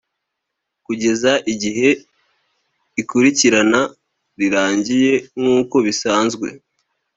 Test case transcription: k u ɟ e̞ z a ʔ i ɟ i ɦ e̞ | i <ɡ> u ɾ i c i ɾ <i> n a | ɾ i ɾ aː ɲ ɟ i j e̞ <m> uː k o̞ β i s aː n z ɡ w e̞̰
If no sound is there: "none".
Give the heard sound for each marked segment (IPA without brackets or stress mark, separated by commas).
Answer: k, a, ŋ